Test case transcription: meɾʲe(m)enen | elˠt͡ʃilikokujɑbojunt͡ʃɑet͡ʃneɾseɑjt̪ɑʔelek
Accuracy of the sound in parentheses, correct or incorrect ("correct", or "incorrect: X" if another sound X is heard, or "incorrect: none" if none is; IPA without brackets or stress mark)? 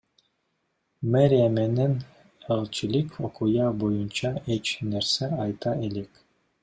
correct